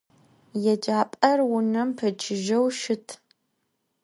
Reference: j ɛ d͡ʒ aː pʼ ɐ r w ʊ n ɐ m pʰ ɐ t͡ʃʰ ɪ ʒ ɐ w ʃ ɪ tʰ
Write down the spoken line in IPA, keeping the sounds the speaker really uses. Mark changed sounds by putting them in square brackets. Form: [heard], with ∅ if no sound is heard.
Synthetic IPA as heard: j ɛ d͡ʒ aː pʼ ɐ r w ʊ n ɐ m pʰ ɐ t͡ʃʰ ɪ ʒ ɐ w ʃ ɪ tʰ